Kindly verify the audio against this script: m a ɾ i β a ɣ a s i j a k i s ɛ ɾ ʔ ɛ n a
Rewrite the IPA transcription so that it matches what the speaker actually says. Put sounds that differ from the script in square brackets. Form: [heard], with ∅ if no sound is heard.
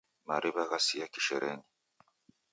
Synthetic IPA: m a ɾ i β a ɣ a s i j a k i [ʃ] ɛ ɾ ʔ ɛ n [i]